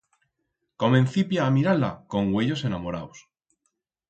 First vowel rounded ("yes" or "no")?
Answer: yes